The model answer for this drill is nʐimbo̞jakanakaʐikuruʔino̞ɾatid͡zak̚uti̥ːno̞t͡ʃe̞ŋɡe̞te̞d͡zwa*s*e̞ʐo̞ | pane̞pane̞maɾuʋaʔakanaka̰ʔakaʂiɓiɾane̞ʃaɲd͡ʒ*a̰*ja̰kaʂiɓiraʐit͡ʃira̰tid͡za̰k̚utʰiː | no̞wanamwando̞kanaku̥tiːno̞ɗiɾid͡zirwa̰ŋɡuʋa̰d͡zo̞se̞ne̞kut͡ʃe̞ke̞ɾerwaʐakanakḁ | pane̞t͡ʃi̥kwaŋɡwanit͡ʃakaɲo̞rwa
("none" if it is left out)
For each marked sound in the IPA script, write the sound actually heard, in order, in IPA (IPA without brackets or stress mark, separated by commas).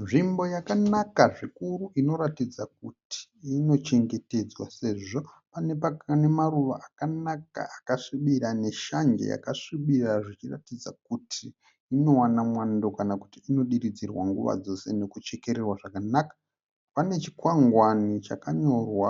s, ḛ